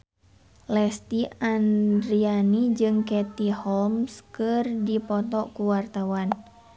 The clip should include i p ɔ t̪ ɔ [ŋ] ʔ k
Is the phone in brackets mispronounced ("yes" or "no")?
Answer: yes